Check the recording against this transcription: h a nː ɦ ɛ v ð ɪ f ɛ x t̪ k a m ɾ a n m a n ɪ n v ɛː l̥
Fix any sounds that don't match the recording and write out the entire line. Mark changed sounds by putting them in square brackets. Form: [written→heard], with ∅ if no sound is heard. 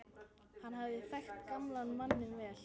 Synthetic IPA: h a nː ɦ [ɛ→a] v ð ɪ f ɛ x t̪ k a m [ɾ→l] a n m a [n→nː] ɪ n v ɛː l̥